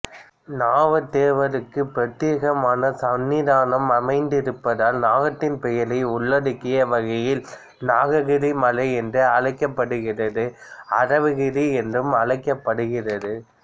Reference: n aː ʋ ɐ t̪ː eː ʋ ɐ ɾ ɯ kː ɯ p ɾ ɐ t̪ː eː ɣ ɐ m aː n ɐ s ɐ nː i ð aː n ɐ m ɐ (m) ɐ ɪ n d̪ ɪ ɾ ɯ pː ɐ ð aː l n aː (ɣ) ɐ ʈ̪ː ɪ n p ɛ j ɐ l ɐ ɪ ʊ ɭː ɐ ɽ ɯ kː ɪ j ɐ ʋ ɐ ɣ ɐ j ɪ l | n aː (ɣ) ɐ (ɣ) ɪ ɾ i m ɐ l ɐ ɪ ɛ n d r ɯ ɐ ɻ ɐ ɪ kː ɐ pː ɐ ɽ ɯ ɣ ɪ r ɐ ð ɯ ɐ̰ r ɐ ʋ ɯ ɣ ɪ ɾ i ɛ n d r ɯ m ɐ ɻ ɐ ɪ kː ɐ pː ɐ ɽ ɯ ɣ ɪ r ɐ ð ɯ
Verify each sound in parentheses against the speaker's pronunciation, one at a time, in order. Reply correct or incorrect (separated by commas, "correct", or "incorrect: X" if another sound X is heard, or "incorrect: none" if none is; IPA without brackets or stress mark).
correct, correct, correct, correct